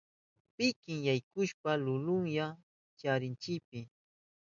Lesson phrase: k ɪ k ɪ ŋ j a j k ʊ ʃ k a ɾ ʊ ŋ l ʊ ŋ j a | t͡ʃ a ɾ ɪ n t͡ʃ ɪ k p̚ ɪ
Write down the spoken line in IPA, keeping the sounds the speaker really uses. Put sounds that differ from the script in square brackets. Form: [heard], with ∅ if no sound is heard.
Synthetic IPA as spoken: [p] ɪ k ɪ ŋ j a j k ʊ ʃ [p] a [l] ʊ [∅] l ʊ ŋ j a | t͡ʃ a ɾ ɪ n t͡ʃ ɪ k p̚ ɪ